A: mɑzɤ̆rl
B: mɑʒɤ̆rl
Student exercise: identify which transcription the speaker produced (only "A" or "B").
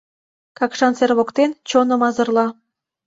A